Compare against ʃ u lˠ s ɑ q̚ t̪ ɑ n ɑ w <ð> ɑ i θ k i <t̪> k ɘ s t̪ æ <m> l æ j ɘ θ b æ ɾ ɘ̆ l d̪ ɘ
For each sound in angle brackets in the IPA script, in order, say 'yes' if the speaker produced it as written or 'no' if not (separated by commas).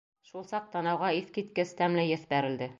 no, yes, yes